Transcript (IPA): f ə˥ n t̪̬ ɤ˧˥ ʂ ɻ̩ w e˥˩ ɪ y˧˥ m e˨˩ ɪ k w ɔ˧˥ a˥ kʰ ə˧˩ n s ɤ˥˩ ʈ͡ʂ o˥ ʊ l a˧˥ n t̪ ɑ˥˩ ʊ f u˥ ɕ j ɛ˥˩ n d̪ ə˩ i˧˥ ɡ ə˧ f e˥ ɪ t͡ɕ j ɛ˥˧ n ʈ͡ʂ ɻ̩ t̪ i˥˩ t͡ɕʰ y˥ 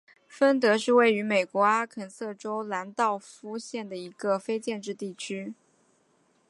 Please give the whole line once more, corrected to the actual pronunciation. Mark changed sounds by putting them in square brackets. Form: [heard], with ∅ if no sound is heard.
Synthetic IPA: f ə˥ n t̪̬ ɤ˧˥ ʂ ɻ̩ w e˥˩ ɪ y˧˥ m e˨˩ ɪ k w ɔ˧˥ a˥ kʰ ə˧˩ n s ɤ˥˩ ʈ͡ʂ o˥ ʊ l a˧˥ n t̪ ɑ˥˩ ʊ f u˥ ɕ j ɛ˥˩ n d̪ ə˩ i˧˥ ɡ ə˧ f e˥ ɪ t͡ɕ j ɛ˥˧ n ʈ͡ʂ ɻ̩ t̪ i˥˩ t͡ɕʰ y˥